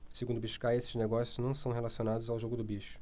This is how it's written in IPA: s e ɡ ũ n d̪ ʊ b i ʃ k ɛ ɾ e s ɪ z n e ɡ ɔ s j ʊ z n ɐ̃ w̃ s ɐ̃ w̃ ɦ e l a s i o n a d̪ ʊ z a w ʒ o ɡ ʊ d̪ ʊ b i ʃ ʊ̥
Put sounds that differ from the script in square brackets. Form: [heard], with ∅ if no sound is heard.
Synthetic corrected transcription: s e ɡ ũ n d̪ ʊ b i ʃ k [a] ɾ e s ɪ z n e ɡ ɔ s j ʊ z n ɐ̃ w̃ s ɐ̃ w̃ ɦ e l a s i o n a d̪ ʊ z a w ʒ o ɡ ʊ d̪ ʊ b i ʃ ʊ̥